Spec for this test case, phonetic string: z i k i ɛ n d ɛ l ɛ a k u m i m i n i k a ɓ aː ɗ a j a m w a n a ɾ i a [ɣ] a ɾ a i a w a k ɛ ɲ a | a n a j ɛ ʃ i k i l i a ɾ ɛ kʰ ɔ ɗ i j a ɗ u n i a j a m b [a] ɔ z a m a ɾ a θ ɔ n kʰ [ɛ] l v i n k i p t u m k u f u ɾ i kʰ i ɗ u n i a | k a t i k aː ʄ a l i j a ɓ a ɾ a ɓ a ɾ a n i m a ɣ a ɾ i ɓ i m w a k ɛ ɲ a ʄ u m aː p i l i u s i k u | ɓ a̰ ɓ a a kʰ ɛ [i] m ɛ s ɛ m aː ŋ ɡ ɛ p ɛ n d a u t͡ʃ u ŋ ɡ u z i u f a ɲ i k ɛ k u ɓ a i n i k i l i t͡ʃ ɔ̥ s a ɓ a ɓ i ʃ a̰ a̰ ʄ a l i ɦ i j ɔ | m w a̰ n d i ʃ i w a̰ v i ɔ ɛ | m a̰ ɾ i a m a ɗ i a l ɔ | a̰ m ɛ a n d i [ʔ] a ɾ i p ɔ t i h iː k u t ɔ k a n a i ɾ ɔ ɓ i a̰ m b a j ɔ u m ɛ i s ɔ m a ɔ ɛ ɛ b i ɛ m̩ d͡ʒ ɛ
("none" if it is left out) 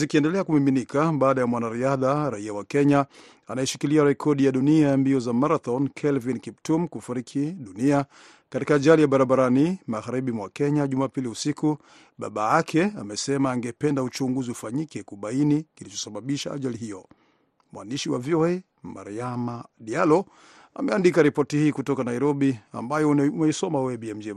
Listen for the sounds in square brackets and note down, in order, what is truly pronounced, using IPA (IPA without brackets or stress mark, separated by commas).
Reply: ð, i, ɛ, a, k